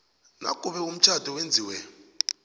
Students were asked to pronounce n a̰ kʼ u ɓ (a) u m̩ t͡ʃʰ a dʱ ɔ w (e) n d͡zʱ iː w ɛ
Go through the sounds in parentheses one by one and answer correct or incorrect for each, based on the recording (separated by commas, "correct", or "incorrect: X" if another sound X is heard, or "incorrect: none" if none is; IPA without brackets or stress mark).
incorrect: ɛ, correct